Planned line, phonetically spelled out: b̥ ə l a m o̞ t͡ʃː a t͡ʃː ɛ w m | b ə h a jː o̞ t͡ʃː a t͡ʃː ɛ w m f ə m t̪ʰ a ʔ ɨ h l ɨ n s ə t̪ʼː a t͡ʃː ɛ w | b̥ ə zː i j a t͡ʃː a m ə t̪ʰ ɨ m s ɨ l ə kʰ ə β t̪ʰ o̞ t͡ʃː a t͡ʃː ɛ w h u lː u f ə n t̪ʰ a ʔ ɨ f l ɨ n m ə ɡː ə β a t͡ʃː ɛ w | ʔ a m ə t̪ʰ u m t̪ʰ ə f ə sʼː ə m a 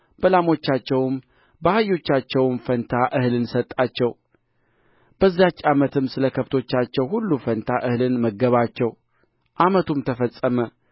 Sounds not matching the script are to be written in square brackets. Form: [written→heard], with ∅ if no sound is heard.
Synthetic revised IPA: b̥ ə l a m o̞ t͡ʃː a t͡ʃː ɛ w m | b ə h a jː o̞ t͡ʃː a t͡ʃː ɛ w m f ə [m→n] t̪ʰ a ʔ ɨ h l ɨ n s ə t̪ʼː a t͡ʃː ɛ w | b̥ ə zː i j a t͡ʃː a m ə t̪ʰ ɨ m s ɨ l ə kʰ ə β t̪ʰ o̞ t͡ʃː a t͡ʃː ɛ w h u lː u f ə n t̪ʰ a ʔ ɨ [f→h] l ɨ n m ə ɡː ə β a t͡ʃː ɛ w | ʔ a m ə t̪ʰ u m t̪ʰ ə f ə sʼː ə m [a→ə]